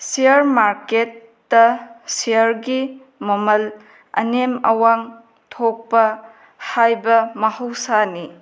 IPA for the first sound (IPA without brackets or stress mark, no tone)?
s